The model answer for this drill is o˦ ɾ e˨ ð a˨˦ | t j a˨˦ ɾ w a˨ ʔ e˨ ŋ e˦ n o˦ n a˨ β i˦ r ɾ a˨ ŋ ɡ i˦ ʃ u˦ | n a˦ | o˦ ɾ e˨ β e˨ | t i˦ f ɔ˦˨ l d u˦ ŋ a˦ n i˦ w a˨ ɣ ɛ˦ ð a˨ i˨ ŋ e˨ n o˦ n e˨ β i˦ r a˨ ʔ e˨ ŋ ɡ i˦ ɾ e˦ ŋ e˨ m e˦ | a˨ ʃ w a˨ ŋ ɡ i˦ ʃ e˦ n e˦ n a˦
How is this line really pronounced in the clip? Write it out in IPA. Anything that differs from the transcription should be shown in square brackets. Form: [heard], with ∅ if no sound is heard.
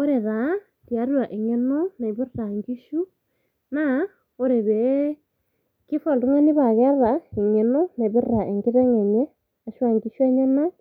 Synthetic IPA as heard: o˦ ɾ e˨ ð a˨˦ | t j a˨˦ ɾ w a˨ ʔ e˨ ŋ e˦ n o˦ n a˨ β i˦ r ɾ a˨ ŋ ɡ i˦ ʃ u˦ | n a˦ | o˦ ɾ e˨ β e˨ | [k] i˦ f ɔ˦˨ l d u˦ ŋ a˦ n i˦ [β] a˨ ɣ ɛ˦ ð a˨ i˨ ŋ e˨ n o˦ n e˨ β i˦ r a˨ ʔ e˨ ŋ ɡ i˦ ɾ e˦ ŋ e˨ [ɲ] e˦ | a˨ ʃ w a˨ ŋ ɡ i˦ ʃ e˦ [ɲ] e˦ n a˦

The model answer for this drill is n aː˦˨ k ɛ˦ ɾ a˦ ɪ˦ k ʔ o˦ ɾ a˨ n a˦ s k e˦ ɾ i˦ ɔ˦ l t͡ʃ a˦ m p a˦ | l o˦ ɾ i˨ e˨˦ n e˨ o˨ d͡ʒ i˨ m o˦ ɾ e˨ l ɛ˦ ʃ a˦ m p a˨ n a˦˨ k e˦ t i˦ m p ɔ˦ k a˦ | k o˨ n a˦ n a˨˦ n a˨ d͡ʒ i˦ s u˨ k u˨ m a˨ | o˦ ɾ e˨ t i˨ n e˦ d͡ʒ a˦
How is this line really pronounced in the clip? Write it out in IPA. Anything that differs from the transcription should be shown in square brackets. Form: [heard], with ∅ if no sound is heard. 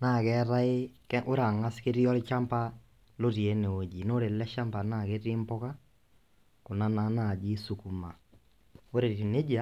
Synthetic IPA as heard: n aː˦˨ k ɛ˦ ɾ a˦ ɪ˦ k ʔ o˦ ɾ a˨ [ŋ] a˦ s k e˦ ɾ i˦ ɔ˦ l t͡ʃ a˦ m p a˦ | l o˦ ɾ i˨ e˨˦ n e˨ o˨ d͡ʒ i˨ [n] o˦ ɾ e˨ l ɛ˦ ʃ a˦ m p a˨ n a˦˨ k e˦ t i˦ m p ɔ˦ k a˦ | k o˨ n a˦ n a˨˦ n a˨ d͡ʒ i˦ s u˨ k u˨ m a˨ | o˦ ɾ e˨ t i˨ n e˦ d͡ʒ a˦

